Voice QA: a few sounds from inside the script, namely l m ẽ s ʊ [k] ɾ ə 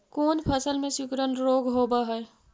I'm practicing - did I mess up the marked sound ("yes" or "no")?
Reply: no